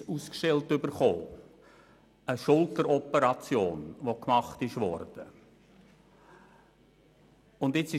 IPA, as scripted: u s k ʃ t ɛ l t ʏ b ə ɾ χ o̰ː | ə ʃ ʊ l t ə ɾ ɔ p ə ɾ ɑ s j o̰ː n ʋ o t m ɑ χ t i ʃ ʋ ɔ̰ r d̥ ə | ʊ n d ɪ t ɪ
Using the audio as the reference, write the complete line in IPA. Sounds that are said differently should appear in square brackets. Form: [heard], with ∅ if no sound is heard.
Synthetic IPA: u s k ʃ t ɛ l t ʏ b ə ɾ χ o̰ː | ə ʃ ʊ l t ə ɾ ɔ p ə ɾ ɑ [t͡s] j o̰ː n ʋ o [k] m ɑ χ t [ɪ] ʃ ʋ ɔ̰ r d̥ ə | ʊ n d ɪ [t͡s] ɪ